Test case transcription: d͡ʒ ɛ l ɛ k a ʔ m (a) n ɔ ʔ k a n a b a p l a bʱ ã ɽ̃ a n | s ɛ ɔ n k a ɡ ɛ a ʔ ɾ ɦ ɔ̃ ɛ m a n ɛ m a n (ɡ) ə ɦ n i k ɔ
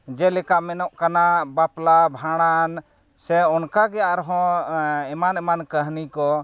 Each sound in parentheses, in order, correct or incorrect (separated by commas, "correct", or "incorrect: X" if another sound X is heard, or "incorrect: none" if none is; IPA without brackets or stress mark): incorrect: ɛ, incorrect: k